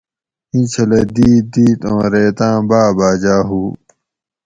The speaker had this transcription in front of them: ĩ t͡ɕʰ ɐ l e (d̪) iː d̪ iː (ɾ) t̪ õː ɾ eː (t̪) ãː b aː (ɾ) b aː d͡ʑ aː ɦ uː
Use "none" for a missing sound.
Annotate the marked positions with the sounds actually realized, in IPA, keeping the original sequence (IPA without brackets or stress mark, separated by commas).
d̪, none, t̪, none